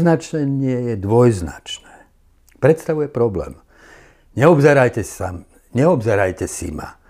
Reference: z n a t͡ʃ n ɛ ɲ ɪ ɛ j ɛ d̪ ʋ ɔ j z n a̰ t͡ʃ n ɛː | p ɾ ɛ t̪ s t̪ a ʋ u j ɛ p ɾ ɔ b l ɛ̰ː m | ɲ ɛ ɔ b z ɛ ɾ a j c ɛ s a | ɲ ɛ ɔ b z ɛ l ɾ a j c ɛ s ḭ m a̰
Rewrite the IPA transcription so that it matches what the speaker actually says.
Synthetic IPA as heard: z n a t͡ʃ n ɛ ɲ ɪ ɛ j ɛ d̪ ʋ ɔ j z n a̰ t͡ʃ n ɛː | p ɾ ɛ t̪ s t̪ a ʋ u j ɛ p ɾ ɔ b l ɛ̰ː m | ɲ ɛ ɔ b z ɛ ɾ a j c ɛ s a | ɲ ɛ ɔ b z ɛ ɾ a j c ɛ s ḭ m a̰